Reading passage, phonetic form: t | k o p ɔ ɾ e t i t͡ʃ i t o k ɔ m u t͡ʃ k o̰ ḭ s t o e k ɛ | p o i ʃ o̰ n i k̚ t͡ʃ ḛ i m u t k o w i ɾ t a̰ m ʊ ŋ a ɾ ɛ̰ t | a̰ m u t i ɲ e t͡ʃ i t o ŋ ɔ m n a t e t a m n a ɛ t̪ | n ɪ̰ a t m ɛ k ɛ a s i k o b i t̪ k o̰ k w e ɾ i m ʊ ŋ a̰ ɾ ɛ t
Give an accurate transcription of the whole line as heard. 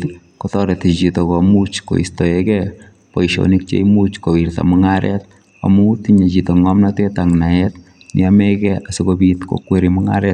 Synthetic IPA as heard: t | k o t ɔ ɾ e t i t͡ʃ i t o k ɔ m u t͡ʃ k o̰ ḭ s t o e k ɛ | p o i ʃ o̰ n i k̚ t͡ʃ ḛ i m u t͡ʃ k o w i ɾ t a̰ m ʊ ŋ a ɾ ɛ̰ t | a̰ m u t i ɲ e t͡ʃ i t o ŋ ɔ m n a t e t a ŋ n a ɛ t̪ | n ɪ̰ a m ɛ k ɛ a s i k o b i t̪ k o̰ k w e ɾ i m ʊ ŋ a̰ ɾ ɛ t